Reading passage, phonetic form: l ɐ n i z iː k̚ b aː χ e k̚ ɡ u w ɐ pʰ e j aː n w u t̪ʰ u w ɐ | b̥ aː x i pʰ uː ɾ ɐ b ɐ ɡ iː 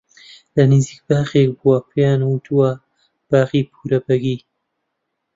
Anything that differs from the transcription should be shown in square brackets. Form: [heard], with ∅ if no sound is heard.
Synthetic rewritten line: l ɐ n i z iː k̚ b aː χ e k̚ [b] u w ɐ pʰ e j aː n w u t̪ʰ u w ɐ | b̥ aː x i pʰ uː ɾ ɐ b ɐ ɡ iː